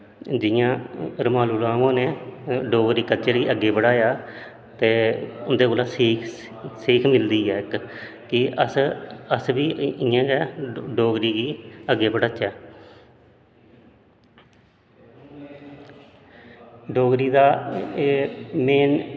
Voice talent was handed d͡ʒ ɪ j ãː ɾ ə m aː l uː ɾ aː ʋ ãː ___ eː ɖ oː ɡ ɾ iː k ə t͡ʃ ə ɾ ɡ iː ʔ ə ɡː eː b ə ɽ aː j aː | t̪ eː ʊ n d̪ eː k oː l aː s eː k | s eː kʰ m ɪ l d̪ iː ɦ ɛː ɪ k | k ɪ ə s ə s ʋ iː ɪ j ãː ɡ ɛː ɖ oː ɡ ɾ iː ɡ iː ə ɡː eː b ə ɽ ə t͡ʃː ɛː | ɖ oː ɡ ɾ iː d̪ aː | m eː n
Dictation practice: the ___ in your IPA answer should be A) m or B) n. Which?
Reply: B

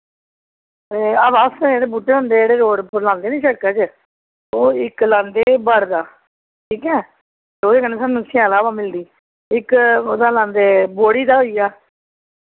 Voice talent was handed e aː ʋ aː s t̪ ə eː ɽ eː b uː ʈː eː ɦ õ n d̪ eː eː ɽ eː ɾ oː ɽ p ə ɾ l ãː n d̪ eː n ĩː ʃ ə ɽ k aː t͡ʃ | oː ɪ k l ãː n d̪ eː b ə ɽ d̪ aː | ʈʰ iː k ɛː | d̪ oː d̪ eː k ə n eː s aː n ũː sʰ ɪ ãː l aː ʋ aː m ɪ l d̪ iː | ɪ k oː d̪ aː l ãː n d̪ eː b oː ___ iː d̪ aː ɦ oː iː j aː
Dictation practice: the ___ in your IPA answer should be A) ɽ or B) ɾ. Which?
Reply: A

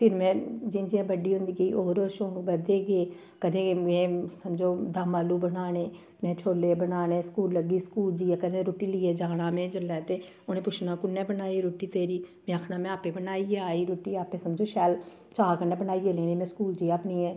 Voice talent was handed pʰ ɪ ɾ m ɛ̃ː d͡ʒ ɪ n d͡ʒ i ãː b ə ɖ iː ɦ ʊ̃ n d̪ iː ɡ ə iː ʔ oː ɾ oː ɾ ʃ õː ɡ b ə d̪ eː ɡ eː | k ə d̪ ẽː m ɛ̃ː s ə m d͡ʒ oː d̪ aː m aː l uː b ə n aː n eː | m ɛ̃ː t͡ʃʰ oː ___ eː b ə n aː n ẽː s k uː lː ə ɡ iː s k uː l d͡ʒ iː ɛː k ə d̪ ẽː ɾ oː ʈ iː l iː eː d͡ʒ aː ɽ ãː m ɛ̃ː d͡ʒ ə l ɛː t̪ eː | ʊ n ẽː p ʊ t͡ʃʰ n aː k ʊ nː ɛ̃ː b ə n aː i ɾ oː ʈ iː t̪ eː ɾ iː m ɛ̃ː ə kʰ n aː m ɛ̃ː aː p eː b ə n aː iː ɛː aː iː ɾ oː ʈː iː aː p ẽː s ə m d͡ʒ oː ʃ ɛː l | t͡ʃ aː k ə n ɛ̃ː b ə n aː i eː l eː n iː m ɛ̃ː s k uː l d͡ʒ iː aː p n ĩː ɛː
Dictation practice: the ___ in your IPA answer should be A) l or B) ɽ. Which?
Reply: A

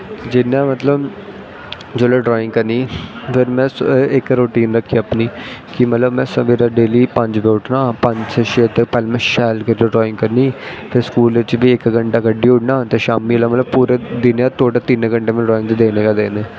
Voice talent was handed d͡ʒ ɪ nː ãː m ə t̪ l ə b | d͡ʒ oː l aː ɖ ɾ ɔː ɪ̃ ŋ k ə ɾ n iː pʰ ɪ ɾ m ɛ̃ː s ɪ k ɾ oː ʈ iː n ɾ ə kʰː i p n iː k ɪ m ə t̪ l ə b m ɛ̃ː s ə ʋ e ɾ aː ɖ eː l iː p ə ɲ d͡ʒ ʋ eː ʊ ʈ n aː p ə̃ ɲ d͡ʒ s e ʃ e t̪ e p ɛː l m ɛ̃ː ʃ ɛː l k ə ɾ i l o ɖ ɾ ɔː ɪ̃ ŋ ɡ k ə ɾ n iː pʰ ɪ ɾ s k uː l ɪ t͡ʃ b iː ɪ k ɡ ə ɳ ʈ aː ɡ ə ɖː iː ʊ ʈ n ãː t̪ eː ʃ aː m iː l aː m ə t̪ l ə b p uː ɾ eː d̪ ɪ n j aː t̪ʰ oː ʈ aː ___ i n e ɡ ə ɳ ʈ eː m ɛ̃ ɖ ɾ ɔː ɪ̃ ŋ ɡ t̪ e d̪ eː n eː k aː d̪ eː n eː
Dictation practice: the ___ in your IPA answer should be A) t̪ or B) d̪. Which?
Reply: A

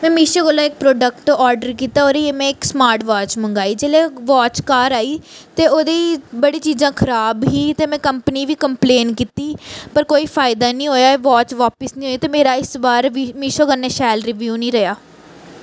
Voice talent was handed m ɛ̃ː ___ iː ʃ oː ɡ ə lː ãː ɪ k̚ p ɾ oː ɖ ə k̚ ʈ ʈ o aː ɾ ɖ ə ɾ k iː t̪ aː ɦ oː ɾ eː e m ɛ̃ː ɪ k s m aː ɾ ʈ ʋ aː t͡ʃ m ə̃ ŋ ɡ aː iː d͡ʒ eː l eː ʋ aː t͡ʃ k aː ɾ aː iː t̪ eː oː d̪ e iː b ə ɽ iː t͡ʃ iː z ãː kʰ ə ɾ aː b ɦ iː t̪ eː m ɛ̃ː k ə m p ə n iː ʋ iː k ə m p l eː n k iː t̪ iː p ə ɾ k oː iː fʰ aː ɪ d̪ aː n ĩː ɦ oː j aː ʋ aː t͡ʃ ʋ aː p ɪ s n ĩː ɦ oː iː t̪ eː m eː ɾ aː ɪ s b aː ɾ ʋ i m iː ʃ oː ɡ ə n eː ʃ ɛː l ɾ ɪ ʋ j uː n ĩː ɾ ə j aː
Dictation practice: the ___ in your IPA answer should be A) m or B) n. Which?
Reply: A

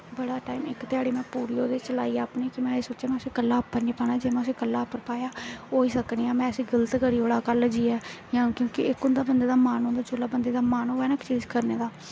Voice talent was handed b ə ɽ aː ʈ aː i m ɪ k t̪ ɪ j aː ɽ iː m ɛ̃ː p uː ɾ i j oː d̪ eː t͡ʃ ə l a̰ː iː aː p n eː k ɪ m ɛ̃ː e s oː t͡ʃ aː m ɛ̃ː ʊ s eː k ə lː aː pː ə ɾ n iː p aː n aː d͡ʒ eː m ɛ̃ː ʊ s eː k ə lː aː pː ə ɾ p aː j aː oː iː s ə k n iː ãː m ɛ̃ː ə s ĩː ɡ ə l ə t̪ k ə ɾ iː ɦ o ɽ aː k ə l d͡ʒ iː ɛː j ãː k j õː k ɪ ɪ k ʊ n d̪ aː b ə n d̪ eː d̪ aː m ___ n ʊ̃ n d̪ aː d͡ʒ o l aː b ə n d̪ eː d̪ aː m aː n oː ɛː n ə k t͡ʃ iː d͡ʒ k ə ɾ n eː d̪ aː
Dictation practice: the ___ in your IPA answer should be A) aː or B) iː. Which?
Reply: A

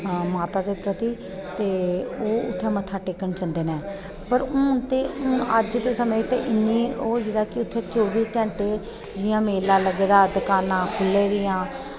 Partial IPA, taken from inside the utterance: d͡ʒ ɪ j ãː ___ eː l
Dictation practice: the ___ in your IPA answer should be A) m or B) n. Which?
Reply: A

